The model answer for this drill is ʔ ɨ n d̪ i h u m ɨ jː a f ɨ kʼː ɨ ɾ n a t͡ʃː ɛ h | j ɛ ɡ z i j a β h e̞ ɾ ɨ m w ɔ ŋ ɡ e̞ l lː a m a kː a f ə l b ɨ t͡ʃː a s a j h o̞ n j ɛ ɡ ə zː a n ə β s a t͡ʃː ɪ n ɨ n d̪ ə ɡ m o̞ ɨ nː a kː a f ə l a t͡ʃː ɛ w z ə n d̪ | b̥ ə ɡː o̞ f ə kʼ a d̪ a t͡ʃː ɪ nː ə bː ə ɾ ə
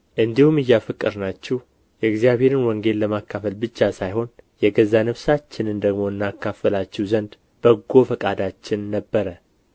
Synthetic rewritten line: ʔ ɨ n d̪ i h u m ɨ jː a f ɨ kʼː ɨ ɾ n a t͡ʃː ɛ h | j ɛ ɡ z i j a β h e̞ ɾ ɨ n w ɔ ŋ ɡ e̞ l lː ə m a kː a f ə l b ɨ t͡ʃː a s a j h o̞ n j ɛ ɡ ə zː a n ə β s a t͡ʃː ɪ n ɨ n d̪ ə ɡ m o̞ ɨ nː a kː a f ə l a t͡ʃː ɛ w z ə n d̪ | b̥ ə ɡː o̞ f ə kʼ a d̪ a t͡ʃː ɪ nː ə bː ə ɾ ə

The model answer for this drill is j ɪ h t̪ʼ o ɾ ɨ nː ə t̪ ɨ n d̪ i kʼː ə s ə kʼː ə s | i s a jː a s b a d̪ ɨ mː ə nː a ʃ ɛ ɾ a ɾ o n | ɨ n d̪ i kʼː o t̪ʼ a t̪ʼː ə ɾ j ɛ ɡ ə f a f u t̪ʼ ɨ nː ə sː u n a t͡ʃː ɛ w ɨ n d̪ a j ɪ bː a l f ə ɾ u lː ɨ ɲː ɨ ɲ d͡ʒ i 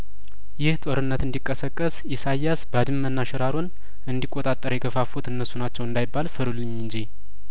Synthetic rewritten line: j ɪ h t̪ʼ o ɾ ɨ nː ə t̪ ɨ n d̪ i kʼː ə s ə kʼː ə s | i s a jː a s b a d̪ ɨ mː ə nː a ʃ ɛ ɾ a ɾ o n | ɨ n d̪ i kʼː o t̪ʼ a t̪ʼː ə ɾ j ɛ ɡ ə f a f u t̪ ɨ nː ə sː u n a t͡ʃː ɛ w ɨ n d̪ a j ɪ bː a l f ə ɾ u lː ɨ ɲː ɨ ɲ d͡ʒ i

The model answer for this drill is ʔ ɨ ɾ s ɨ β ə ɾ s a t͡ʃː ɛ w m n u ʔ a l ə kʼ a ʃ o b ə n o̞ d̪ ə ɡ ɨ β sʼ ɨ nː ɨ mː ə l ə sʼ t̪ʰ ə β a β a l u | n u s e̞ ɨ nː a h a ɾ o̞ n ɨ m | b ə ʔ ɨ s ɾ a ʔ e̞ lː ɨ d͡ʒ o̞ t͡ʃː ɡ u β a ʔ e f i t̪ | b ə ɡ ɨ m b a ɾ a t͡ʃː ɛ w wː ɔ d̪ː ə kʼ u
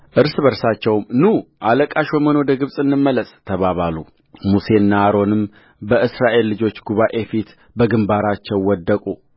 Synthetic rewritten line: ʔ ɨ ɾ s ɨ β ə ɾ s a t͡ʃː ɛ w m n u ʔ a l ə kʼ a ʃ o m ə n o̞ d̪ ə ɡ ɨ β sʼ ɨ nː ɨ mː ə l ə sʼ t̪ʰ ə β a β a l u | m u s e̞ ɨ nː a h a ɾ o̞ n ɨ m | b ə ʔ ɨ s ɾ a ʔ e̞ lː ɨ d͡ʒ o̞ t͡ʃː ɡ u β a ʔ e f i t̪ | b ə ɡ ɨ m b a ɾ a t͡ʃː ɛ w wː ɔ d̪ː ə kʼ u

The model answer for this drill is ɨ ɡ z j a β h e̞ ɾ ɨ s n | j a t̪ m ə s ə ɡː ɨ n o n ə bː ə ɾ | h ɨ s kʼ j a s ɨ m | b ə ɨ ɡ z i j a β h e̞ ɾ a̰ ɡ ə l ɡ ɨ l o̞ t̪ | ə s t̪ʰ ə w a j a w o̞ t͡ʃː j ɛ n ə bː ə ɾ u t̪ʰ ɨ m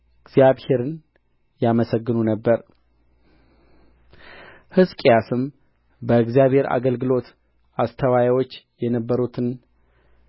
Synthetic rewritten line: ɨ ɡ z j a β h e̞ ɾ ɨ n | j a m ə s ə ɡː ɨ n u n ə bː ə ɾ | h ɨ s kʼ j a s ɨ m | b ə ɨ ɡ z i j a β h e̞ ɾ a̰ ɡ ə l ɡ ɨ l o̞ t̪ | a s t̪ʰ ə w a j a w o̞ t͡ʃː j ɛ n ə bː ə ɾ u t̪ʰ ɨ n

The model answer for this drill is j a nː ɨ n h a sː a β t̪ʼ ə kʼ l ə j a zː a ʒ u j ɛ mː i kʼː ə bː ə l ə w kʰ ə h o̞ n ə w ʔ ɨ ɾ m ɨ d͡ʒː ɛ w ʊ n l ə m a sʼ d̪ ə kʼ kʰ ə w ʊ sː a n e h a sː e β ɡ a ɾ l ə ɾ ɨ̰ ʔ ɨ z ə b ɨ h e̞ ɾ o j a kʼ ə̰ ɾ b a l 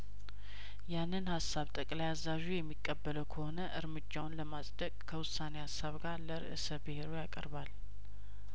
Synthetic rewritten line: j a nː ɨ n h a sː a β t̪ʼ ə kʼ l a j a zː a ʒ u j ɛ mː i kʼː ə bː ə l ə w kʰ ə h o̞ n ə ʔ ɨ ɾ m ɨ d͡ʒː a w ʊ n l ə m a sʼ d̪ ə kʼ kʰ ə w ʊ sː a n e h a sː a β ɡ a ɾ l ə ɾ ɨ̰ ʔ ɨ s ə b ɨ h e̞ ɾ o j a kʼ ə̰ ɾ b a l

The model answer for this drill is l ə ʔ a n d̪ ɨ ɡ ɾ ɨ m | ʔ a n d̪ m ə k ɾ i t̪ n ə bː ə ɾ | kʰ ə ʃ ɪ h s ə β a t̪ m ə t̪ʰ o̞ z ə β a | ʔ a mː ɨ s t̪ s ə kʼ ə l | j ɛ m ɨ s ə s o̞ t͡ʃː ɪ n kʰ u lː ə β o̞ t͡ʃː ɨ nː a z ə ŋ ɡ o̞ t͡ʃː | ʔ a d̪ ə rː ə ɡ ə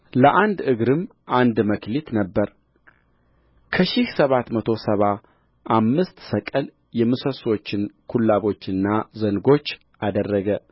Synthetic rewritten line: l ə ʔ a n d̪ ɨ ɡ ɾ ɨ m | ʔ a n d̪ m ə k l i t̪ n ə bː ə ɾ | kʰ ə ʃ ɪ h s ə β a t̪ m ə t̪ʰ o̞ s ə β a | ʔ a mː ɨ s t̪ s ə kʼ ə l | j ɛ m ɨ s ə s o̞ t͡ʃː ɪ n kʰ u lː a β o̞ t͡ʃː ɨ nː a z ə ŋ ɡ o̞ t͡ʃː | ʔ a d̪ ə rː ə ɡ ə

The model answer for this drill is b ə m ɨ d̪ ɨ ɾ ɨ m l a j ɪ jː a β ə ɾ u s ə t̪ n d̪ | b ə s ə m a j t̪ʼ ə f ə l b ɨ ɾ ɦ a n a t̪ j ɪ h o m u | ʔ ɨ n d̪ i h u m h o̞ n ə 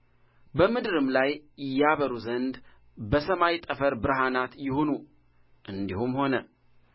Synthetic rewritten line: b ə m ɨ d̪ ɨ ɾ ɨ m l a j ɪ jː a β ə ɾ u z ə n d̪ | b ə s ə m a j t̪ʼ ə f ə ɾ b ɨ ɾ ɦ a n a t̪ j ɪ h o n u | ʔ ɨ n d̪ i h u m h o̞ n ə

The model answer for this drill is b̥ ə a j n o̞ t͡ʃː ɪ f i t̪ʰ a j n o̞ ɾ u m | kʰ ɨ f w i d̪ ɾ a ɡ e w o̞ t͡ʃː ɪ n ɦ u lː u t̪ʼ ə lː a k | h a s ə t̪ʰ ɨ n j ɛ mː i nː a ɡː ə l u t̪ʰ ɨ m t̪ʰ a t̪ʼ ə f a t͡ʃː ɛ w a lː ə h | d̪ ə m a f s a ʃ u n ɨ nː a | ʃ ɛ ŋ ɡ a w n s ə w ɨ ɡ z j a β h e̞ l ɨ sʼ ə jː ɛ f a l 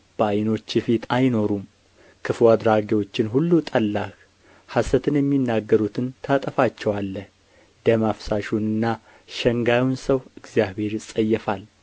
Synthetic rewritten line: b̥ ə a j n o̞ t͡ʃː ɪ f i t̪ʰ a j n o̞ ɾ u m | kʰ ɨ f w a d̪ ɾ a ɡ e w o̞ t͡ʃː ɪ n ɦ u lː u t̪ʼ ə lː a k | h a s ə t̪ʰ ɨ n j ɛ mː i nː a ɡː ə ɾ u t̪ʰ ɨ n t̪ʰ a t̪ʼ ə f a t͡ʃː ɛ w a lː ə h | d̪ ə m a f s a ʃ u n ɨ nː a | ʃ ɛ ŋ ɡ a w n s ə w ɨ ɡ z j a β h e̞ ɾ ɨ sʼ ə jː ɛ f a l

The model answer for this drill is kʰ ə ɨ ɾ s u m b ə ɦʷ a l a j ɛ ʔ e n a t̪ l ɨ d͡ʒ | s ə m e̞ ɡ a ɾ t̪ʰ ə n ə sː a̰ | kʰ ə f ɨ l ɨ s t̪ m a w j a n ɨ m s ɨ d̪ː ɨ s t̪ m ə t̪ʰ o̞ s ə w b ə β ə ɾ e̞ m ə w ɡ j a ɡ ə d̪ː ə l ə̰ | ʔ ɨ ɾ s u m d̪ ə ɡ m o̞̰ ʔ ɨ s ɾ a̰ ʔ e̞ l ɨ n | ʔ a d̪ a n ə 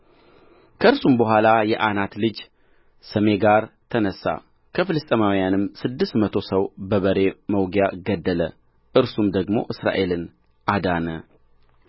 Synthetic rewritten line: kʰ ə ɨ ɾ s u m b ə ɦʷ a l a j ɛ ʔ a n a t̪ l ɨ d͡ʒ | s ə m e̞ ɡ a ɾ t̪ʰ ə n ə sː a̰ | kʰ ə f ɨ l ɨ s t̪ʼ m a w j a n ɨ m s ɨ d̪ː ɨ s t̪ m ə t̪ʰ o̞ s ə w b ə β ə ɾ e̞ m ə w ɡ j a ɡ ə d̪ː ə l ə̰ | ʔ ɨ ɾ s u m d̪ ə ɡ m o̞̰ ʔ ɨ s ɾ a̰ ʔ e̞ l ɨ n | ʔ a d̪ a n ə

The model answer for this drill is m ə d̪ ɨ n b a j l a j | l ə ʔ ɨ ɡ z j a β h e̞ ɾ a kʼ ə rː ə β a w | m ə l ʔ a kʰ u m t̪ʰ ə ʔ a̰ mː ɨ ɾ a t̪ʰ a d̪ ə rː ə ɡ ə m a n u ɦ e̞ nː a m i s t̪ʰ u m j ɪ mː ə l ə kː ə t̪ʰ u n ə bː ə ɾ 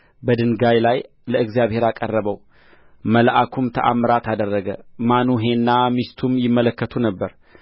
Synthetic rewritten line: b ə d̪ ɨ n ɡ a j l a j | l ə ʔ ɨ ɡ z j a β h e̞ ɾ a kʼ ə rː ə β ə w | m ə l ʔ a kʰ u m t̪ʰ ə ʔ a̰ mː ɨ ɾ a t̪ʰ a d̪ ə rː ə ɡ ə m a n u ɦ e̞ nː a m i s t̪ʰ u m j ɪ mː ə l ə kː ə t̪ʰ u n ə bː ə ɾ

